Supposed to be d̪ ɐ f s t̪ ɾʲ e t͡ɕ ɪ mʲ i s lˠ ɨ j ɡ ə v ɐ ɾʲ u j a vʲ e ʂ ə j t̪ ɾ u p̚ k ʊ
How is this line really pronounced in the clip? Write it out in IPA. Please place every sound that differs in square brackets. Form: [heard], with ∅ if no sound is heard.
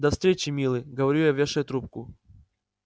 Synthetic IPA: d̪ ɐ f s t̪ ɾʲ e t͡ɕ ɪ mʲ i [∅] lˠ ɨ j ɡ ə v ɐ ɾʲ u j a vʲ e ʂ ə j t̪ ɾ u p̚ k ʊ